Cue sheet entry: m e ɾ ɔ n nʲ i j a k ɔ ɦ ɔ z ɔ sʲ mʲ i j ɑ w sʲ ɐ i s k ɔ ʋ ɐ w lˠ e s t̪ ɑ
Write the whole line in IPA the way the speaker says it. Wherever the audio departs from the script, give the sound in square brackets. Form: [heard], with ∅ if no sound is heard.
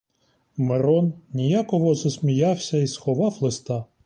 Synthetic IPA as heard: m e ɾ ɔ n nʲ i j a k ɔ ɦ ɔ z ɔ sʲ mʲ i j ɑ w sʲ ɐ i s [x] ɔ ʋ [ɑ] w lˠ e s t̪ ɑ